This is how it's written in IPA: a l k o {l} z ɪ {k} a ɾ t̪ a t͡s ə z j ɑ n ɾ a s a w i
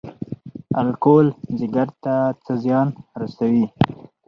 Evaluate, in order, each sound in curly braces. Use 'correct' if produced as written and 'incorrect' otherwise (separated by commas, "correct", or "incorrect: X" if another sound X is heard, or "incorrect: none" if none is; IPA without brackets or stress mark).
correct, incorrect: ɡ